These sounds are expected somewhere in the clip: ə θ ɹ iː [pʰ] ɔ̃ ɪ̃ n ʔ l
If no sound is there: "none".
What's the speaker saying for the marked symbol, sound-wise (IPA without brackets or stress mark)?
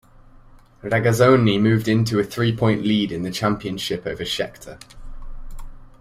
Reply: pʰ